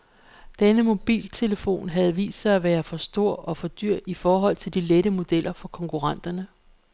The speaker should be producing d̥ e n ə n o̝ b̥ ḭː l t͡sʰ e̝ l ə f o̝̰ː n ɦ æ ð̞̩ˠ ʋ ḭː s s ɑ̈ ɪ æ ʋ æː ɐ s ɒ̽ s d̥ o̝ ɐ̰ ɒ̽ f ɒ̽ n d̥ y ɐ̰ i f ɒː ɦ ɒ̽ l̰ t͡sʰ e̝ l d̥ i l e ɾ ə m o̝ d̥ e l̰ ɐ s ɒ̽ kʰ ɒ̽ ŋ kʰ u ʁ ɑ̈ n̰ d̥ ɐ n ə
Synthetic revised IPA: d̥ e n ə m o̝ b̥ ḭː l t͡sʰ e̝ l ə f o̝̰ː n ɦ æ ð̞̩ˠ ʋ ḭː s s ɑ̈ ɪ æ ʋ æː ɐ f ɒ̽ s d̥ o̝ ɐ̰ ɒ̽ f ɒ̽ d̥ y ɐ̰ i f ɒː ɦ ɒ̽ l̰ t͡sʰ e̝ l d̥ i l e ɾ ə m o̝ d̥ e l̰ ɐ f ɒ̽ kʰ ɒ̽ ŋ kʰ u ʁ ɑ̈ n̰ d̥ ɐ n ə